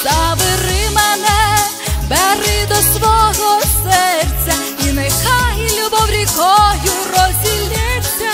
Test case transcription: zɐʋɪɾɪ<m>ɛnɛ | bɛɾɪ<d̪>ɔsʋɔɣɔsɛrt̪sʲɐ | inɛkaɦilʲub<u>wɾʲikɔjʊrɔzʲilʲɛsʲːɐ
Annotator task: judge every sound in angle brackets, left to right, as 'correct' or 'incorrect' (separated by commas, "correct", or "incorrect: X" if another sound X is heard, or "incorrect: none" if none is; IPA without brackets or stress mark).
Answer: correct, correct, incorrect: ɔ